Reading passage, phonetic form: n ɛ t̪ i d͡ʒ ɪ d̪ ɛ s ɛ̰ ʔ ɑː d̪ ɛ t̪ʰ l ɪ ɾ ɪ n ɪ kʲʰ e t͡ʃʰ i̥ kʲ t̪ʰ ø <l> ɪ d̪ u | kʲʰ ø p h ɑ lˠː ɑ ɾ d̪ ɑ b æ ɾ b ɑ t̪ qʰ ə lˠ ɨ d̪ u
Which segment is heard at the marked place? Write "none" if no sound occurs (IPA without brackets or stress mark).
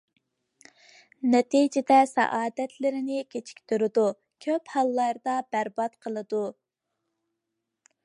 ɾ